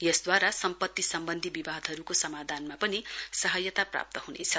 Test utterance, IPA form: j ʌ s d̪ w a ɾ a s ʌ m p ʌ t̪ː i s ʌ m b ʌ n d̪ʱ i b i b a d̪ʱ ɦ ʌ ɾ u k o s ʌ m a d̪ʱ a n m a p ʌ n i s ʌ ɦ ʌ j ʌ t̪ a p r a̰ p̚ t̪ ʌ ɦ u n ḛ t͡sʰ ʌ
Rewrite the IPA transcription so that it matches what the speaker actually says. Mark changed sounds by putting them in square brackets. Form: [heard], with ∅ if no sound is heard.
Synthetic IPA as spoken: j ʌ s d̪ w a ɾ a s ʌ m p ʌ t̪ː i s ʌ m b ʌ n d̪ʱ i b i b a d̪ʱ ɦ ʌ ɾ u k o s ʌ m a d̪ʱ a n m a p ʌ n i s ʌ ɦ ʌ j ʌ t̪ a p r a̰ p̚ t̪ ʌ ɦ u n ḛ t͡sʰ ʌ

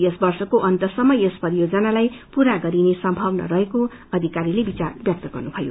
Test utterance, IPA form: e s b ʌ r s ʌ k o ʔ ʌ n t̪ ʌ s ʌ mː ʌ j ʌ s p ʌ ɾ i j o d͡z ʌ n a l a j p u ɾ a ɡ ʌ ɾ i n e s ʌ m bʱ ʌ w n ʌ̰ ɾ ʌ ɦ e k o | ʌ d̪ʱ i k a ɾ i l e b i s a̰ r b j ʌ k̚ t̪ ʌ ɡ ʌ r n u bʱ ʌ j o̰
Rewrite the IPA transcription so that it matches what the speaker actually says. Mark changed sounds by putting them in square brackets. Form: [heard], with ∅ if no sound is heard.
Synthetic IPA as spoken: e s b ʌ r s ʌ k o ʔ ʌ n t̪ ʌ s ʌ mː ʌ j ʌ s p ʌ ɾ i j o d͡z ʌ n a l a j p u ɾ a ɡ ʌ ɾ i n e s ʌ m bʱ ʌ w n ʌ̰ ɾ ʌ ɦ e k o | ʌ d̪ʱ i k a ɾ i l e b i [t͡s] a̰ r b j ʌ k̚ t̪ ʌ ɡ ʌ r n u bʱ ʌ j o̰

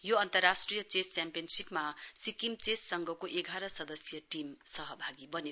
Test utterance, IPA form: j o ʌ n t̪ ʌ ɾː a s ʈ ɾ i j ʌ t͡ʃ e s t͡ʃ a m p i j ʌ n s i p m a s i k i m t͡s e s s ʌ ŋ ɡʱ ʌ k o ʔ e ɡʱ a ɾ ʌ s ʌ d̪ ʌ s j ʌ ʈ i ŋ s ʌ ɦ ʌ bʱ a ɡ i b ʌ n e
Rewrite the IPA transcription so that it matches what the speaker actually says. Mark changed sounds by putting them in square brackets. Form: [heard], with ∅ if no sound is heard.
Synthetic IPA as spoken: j o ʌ n t̪ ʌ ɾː a s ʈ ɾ i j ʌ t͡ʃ e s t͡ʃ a m p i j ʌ n s i p m a s i k i m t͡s e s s ʌ ŋ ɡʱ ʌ k o ʔ e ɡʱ a ɾ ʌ s ʌ d̪ ʌ s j ʌ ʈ i [m] s ʌ ɦ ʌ bʱ a ɡ i b ʌ n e

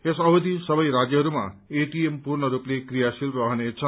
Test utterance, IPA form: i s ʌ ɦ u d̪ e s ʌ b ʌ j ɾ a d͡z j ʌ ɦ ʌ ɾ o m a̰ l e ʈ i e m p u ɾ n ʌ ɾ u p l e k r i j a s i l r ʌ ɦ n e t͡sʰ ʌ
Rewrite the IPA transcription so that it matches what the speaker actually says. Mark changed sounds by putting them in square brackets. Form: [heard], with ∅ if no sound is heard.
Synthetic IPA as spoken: [e] s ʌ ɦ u d̪ [i] s ʌ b ʌ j ɾ a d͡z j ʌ ɦ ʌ ɾ [u] m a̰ [∅] e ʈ i e m p u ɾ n ʌ ɾ u p l e k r i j a s i l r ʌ ɦ n e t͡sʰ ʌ

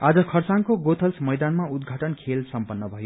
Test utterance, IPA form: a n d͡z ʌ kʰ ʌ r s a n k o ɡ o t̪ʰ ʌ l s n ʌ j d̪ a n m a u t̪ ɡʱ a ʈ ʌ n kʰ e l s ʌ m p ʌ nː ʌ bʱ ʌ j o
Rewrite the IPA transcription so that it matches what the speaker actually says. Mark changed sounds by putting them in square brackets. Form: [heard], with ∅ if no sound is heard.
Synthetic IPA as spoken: a [∅] d͡z ʌ kʰ ʌ r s a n k o ɡ o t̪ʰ ʌ l s [m] ʌ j d̪ a n m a u [d̪] ɡʱ a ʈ ʌ n kʰ e l s ʌ m p ʌ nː ʌ bʱ ʌ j o

